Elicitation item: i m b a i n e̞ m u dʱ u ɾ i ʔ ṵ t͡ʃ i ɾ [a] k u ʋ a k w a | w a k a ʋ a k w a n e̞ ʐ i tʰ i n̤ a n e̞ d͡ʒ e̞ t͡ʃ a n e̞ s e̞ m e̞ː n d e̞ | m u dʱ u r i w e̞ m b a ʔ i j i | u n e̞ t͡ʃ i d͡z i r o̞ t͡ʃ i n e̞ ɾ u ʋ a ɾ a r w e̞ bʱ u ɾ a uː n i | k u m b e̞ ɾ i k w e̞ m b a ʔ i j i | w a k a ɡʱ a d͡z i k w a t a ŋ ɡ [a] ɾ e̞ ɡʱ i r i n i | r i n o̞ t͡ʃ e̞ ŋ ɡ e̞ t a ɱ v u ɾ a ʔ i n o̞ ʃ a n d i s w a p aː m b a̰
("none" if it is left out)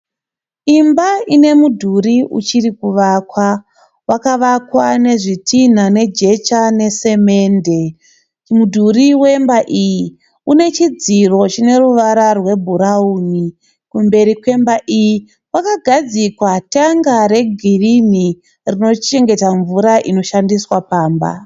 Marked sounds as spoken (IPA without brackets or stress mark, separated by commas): i, a